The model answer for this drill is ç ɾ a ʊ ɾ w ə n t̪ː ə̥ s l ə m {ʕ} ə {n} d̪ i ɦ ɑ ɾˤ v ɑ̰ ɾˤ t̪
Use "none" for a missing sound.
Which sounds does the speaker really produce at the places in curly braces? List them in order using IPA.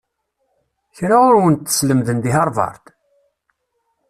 ð, n

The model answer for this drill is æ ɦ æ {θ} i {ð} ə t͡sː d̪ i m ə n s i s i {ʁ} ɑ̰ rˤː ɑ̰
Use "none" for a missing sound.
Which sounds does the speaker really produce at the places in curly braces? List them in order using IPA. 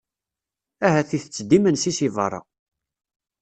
θ, θ, v

